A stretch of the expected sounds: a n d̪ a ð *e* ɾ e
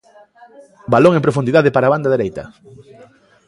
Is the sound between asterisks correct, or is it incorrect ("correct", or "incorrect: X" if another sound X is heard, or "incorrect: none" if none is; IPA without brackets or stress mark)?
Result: correct